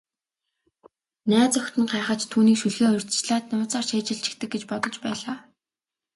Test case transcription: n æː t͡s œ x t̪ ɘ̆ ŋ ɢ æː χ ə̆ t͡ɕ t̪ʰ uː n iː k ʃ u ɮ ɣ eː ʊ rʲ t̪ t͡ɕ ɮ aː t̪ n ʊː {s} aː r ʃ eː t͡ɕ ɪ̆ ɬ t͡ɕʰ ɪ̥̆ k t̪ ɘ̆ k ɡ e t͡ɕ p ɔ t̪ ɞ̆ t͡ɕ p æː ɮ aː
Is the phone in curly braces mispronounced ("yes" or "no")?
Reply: yes